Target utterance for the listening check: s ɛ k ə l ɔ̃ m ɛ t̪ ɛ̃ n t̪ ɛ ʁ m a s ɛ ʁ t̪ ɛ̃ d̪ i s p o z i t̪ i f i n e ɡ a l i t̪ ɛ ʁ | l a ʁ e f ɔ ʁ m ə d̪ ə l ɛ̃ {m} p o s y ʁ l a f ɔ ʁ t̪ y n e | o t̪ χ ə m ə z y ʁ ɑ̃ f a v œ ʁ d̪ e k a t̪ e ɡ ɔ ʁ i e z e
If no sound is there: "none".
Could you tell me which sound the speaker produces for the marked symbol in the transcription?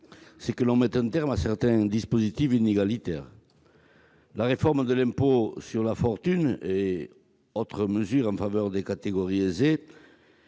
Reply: m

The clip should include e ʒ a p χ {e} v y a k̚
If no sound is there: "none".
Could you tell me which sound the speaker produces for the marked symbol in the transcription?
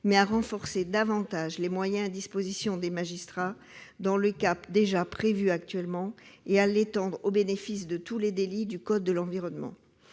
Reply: e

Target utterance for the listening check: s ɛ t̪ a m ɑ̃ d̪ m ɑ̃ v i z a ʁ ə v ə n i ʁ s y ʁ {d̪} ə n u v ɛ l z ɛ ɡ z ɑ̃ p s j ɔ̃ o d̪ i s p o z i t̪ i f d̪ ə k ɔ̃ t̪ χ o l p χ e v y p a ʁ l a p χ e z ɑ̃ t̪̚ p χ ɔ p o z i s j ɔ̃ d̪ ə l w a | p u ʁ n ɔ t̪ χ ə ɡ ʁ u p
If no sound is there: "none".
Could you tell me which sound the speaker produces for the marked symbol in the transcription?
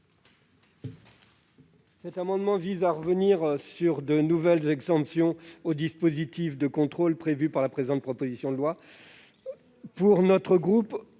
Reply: d̪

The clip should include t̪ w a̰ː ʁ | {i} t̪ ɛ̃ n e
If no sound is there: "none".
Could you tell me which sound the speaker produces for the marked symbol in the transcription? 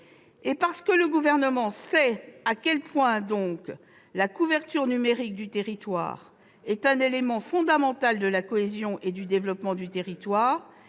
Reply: ɛ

